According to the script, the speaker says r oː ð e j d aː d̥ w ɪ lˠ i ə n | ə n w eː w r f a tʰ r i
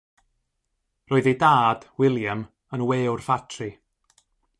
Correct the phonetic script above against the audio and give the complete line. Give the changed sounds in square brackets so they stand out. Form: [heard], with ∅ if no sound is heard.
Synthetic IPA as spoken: r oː ð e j d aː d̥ w ɪ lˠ [j] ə [m] | ə n w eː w r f a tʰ r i

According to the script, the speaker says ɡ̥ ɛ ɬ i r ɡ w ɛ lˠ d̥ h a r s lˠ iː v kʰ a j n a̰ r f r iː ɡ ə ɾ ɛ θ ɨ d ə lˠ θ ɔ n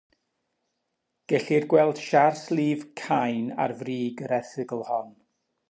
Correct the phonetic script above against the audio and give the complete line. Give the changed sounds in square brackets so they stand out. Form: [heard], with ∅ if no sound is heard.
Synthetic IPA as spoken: ɡ̥ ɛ ɬ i r ɡ w ɛ lˠ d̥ [ʃ] a r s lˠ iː v kʰ a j n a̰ r [v] r iː ɡ ə ɾ ɛ θ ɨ [ɡ] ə lˠ [h] ɔ n

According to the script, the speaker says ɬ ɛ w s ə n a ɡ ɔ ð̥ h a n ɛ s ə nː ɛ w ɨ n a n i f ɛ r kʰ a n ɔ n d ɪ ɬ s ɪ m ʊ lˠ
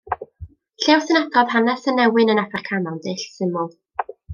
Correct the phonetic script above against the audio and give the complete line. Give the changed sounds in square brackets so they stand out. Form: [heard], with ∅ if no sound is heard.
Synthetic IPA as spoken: ɬ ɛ w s ə n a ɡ ɔ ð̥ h a n ɛ s ə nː ɛ w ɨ n [ə] n [a] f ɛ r kʰ a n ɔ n d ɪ ɬ s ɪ m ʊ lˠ

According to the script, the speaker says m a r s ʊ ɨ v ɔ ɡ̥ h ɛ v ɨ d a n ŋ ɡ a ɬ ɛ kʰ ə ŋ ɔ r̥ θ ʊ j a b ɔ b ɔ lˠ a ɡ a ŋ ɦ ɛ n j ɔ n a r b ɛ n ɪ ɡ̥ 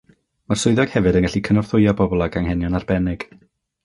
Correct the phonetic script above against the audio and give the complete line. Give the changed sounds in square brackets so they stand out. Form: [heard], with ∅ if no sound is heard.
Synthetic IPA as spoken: m a r s ʊ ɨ [ð] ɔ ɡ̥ h ɛ v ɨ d [ə] n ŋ ɡ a ɬ [i] kʰ ə [n] ɔ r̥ θ ʊ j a b ɔ b ɔ lˠ a ɡ a ŋ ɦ ɛ n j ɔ n a r b ɛ n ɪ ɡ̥

